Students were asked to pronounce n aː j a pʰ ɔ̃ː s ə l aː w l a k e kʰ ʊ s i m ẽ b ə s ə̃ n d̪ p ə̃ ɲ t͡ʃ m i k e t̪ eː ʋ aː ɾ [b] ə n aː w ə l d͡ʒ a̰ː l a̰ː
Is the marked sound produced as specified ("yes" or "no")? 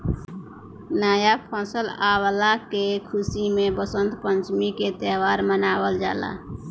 no